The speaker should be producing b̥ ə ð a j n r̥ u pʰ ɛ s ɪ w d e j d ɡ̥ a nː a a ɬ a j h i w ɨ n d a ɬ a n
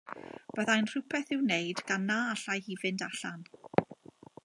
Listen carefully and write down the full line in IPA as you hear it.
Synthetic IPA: b̥ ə ð a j n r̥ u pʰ ɛ θ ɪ w n e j d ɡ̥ a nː a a ɬ a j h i v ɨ n d a ɬ a n